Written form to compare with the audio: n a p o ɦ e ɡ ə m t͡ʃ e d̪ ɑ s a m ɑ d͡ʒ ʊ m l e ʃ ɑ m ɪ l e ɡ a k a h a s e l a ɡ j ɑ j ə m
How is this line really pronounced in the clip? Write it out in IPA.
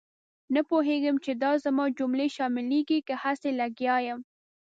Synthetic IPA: n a p o ɦ e ɡ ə m t͡ʃ e d̪ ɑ z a m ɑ d͡ʒ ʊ m l e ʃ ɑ m ɪ l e ɡ i k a h a s e l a ɡ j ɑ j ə m